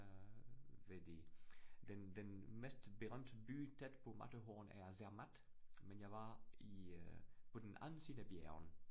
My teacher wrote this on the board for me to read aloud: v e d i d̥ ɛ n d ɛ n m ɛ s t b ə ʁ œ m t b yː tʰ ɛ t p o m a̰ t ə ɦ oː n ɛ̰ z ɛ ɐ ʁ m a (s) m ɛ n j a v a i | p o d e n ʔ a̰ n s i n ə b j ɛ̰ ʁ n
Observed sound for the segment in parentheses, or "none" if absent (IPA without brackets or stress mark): t